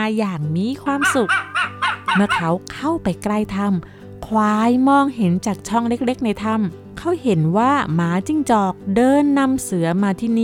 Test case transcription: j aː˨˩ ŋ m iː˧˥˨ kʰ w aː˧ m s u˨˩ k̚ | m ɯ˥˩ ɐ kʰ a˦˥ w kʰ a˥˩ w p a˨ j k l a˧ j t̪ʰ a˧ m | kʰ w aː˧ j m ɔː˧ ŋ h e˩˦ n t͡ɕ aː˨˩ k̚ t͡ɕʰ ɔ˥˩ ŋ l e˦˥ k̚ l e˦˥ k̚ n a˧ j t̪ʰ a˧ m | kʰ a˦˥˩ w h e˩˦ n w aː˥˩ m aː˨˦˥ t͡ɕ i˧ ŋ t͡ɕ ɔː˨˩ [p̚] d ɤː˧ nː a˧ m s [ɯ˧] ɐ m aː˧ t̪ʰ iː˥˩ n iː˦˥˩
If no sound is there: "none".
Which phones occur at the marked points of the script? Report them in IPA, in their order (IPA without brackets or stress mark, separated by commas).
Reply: k̚, ɯ˩˦